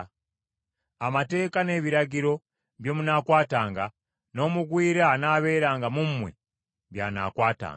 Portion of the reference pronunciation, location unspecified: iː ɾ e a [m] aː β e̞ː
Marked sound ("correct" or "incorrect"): incorrect